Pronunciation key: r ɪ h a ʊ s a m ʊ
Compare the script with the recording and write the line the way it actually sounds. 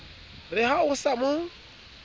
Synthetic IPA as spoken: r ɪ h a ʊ s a m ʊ